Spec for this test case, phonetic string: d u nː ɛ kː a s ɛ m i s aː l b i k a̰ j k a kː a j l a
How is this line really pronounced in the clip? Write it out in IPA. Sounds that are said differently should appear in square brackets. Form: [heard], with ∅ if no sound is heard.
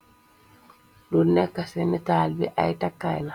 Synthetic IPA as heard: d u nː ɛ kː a s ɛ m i [t] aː l b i [ʔ] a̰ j [t] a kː a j l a